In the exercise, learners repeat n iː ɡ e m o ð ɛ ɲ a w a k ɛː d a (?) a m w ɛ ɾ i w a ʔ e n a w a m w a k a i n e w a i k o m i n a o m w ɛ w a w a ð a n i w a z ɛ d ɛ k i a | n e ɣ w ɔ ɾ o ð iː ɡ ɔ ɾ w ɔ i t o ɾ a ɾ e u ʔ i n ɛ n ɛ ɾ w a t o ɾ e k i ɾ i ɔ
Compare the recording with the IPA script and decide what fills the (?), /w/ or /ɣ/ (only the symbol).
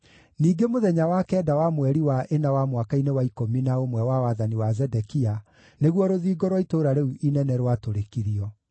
w